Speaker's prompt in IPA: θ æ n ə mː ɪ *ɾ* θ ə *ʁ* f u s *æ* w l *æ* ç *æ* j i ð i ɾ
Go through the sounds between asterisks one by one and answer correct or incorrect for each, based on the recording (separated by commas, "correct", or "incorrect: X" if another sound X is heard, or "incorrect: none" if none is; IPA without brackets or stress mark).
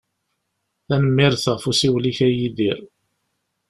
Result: correct, correct, incorrect: i, incorrect: i, correct